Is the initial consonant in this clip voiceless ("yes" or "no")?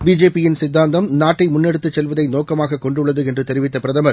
no